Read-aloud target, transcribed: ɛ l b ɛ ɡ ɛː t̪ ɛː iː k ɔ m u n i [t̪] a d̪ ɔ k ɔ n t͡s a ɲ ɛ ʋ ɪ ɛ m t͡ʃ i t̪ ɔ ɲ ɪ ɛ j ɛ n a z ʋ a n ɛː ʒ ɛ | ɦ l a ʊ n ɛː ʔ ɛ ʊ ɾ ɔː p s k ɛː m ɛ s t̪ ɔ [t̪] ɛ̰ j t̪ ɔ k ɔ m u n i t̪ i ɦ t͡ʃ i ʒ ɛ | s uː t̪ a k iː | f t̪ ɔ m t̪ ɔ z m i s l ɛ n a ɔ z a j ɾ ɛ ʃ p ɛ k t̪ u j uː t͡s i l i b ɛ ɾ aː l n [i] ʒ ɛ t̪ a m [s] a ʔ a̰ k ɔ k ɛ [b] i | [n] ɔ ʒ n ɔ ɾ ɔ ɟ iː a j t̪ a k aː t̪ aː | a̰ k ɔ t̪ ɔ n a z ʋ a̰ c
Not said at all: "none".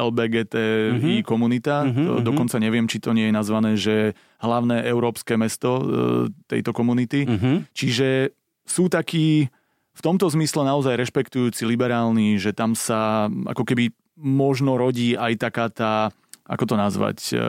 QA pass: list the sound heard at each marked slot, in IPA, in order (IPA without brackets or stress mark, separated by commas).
t̪, t̪, i, s, b, m